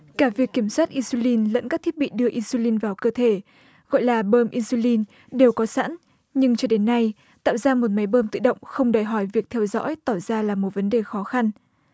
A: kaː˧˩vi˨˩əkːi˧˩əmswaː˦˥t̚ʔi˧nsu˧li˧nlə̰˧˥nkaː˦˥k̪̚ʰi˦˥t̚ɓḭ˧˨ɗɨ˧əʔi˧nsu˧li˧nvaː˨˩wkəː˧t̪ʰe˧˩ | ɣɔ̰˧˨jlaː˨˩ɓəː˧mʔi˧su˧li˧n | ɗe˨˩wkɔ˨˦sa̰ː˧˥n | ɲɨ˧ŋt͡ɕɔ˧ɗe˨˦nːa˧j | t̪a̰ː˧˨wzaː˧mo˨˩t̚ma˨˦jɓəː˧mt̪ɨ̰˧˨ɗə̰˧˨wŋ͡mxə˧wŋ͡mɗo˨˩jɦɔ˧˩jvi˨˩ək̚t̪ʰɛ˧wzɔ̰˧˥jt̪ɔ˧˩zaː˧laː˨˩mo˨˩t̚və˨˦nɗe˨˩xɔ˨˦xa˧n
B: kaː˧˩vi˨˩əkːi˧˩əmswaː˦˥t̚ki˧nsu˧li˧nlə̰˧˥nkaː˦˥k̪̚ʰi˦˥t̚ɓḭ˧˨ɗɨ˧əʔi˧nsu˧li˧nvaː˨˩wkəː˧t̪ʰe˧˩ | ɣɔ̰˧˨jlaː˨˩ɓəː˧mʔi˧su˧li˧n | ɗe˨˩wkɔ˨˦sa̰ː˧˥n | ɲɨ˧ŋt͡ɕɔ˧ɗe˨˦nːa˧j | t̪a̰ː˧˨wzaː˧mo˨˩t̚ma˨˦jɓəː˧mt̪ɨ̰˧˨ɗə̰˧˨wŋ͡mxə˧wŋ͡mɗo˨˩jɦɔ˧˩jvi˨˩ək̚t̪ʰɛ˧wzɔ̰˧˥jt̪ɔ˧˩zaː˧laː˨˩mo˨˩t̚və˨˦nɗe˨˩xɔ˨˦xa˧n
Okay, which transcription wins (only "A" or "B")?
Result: A